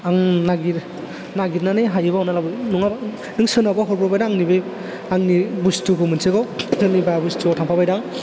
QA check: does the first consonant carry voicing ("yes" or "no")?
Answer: yes